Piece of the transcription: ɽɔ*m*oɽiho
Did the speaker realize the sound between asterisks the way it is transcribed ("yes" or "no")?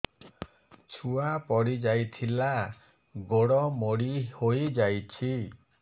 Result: yes